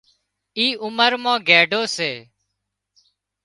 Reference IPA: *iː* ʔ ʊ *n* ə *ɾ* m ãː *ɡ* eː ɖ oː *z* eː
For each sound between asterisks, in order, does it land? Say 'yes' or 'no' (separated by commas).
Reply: yes, no, yes, yes, no